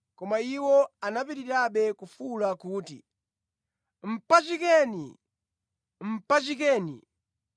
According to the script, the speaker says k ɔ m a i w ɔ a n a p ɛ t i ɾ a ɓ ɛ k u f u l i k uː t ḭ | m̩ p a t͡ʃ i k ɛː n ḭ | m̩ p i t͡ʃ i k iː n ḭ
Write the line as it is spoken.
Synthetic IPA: k ɔ m a i w ɔ a n a p i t i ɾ a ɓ ɛ k u f u l a k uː t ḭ | m̩ p a t͡ʃ i k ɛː n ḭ | m̩ p a t͡ʃ i k ɛː n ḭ

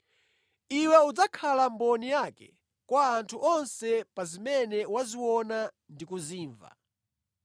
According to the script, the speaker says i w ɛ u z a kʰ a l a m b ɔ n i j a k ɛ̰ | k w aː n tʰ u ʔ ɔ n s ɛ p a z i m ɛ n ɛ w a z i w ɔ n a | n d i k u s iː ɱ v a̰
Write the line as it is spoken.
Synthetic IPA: i w ɛ u d͡z a kʰ a l a m b ɔ n i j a k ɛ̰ | k w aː n tʰ u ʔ ɔ n s ɛ p a z i m ɛ n ɛ w a z i w ɔ n a | n d i k u z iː ɱ v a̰

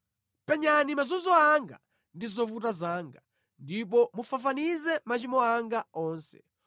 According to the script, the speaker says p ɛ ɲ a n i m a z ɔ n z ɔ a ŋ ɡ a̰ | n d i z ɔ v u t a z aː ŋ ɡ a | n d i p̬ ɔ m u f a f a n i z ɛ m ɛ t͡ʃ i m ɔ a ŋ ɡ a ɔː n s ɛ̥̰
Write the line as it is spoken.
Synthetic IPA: p ɛ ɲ a n i m a z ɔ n z ɔ a ŋ ɡ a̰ | n d i z ɔ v u t a z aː ŋ ɡ a | n d i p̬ ɔ m u f a f a n i z ɛ m a t͡ʃ i m ɔ a ŋ ɡ a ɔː n s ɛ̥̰

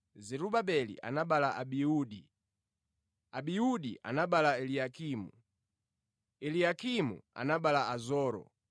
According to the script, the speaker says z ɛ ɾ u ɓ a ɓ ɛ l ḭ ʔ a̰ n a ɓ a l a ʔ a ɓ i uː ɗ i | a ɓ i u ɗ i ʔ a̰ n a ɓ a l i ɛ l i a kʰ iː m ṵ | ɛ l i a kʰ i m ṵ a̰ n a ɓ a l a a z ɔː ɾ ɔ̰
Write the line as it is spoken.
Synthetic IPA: z ɛ ɾ u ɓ a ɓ ɛ l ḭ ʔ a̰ n a ɓ a l a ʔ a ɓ i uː ɗ i | a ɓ i u ɗ i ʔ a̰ n a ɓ a l a ɛ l i a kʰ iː m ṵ | ɛ l i a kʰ i m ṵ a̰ n a ɓ a l a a z ɔː ɾ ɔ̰

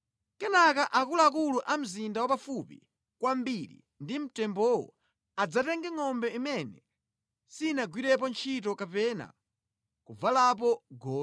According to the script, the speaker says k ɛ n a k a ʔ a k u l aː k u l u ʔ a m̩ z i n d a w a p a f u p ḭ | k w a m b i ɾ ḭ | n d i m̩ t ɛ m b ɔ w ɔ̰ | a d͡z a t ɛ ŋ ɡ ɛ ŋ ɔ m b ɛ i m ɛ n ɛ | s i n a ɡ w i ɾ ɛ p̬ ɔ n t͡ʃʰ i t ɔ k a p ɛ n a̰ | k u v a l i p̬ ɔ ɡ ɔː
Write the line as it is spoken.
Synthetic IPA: k ɛ n a k a ʔ a k u l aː k u l u ʔ a m̩ z i n d a w a p a f u p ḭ | k w a m b i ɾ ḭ | n d i m̩ t ɛ m b ɔ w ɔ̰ | a d͡z a t ɛ ŋ ɡ ɛ ŋ ɔ m b ɛ i m ɛ n ɛ | s i n a ɡ w i ɾ ɛ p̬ ɔ n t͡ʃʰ i t ɔ k a p ɛ n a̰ | k u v a l a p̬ ɔ ɡ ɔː

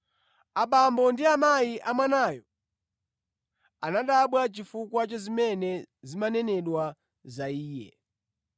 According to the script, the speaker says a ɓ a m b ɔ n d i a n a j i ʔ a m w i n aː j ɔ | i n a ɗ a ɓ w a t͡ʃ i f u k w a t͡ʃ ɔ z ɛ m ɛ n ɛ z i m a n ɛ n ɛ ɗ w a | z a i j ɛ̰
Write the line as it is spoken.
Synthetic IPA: a ɓ a m b ɔ n d i a m a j i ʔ a m w a n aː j ɔ | a n a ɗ a ɓ w a t͡ʃ i f u k w a t͡ʃ ɔ z i m ɛ n ɛ z i m a n ɛ n ɛ ɗ w a | z a iː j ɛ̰

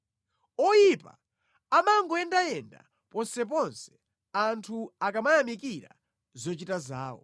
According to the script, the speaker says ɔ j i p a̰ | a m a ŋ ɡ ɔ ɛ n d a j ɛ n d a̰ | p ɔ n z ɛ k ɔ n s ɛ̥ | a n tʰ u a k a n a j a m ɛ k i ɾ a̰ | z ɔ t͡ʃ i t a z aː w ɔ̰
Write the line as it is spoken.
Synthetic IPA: ɔ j i p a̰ | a m a ŋ ɡ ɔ ɛ n d a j ɛ n d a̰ | p ɔ n s ɛ p ɔ n s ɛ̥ | a n tʰ u a k a m a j a m i k i ɾ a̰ | z ɔ t͡ʃ i t a z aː w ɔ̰

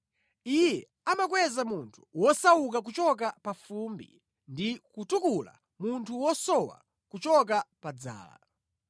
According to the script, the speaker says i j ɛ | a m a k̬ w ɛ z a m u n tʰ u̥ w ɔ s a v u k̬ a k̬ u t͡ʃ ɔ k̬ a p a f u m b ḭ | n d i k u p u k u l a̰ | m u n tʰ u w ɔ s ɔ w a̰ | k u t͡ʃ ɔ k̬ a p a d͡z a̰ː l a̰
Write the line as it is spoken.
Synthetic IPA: i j ɛ | a m a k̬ w ɛ z a m u n tʰ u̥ w ɔ s a w u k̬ a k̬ u t͡ʃ ɔ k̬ a p a f u m b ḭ | n d i k u t u k u l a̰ | m u n tʰ u w ɔ s ɔ w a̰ | k u t͡ʃ ɔ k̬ a p a d͡z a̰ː l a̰

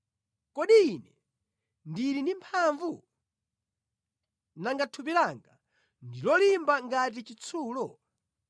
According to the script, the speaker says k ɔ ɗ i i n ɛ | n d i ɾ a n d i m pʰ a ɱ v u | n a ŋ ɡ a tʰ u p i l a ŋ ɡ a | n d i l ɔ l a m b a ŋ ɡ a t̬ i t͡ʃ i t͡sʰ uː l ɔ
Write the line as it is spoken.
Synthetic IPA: k ɔ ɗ i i n ɛ | n d i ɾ i n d i m pʰ a ɱ v u | n a ŋ ɡ a tʰ u p i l a ŋ ɡ a | n d i l ɔ l i m b a ŋ ɡ a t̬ i t͡ʃ i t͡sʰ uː l ɔ

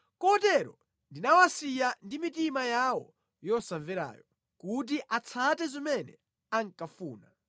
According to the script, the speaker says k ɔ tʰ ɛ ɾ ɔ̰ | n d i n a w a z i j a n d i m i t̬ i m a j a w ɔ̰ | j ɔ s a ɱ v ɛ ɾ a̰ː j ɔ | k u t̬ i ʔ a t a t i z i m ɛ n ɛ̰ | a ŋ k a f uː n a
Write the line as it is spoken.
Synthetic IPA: k ɔ t ɛ ɾ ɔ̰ | n d i n a w a s i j a n d i m i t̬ i m a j a w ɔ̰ | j ɔ s a ɱ v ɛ ɾ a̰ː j ɔ | k u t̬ i ʔ a t͡sʰ a t ɛ z i m ɛ n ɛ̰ | a ŋ k a f uː n a

